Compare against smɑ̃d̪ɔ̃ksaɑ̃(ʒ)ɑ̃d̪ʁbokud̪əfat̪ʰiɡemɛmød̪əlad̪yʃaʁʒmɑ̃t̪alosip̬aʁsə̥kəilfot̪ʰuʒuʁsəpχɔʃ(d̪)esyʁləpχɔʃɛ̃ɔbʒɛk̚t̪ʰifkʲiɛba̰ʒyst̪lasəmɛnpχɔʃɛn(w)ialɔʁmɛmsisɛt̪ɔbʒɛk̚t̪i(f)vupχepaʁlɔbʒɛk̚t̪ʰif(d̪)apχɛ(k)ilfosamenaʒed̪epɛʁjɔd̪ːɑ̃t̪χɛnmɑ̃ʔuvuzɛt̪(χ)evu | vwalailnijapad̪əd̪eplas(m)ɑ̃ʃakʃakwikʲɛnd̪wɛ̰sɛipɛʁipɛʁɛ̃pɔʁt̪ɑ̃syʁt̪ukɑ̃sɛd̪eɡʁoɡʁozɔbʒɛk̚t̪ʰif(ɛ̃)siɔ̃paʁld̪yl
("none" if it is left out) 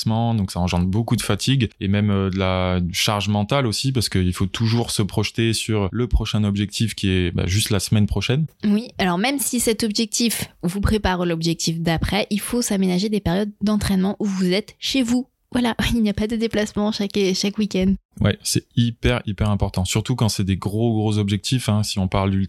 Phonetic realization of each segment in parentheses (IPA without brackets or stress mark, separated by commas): ʒ, t̪, w, f, d̪, ʔ, ʃ, m, ɛ̃